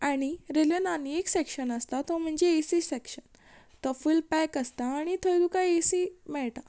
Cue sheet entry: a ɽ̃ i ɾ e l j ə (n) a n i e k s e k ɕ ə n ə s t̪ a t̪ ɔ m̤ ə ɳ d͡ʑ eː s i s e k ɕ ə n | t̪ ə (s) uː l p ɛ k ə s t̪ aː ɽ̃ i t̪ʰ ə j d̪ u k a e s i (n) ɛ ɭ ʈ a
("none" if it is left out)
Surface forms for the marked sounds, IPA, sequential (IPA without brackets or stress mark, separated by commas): n, f, m